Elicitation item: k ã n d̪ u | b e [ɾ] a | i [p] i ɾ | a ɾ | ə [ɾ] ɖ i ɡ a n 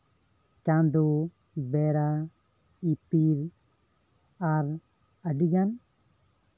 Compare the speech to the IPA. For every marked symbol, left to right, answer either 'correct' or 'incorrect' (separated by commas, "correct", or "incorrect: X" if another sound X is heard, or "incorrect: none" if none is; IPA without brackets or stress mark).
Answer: correct, correct, incorrect: none